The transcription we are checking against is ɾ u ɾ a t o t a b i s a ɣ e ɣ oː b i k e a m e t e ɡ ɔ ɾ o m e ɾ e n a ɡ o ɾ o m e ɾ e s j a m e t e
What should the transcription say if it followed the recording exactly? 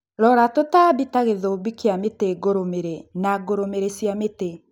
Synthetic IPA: ɾ ɔ ɾ a t o t a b i t a ɣ e ð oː b i k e a m e t e ɡ o ɾ o m e ɾ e n a ɡ o ɾ o m e ɾ e s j a m e t e